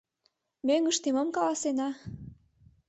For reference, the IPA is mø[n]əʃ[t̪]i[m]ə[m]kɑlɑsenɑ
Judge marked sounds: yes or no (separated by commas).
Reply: no, yes, yes, yes